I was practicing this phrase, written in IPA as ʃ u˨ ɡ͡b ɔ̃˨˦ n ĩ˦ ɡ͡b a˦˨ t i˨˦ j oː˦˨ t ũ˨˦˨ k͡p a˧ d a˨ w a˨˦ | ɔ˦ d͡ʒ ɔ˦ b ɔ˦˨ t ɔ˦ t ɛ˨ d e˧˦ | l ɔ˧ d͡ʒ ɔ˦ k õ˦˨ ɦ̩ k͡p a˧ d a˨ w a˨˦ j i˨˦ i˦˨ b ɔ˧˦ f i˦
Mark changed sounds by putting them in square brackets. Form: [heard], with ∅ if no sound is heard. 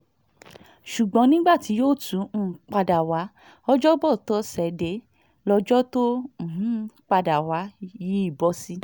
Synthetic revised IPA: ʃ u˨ ɡ͡b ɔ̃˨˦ n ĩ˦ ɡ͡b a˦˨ t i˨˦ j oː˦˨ t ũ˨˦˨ k͡p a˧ d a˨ w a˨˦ | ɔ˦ d͡ʒ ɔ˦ b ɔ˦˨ t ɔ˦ [s] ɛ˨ d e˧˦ | l ɔ˧ d͡ʒ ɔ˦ [t] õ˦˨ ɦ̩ k͡p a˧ d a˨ w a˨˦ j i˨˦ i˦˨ b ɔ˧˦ [s] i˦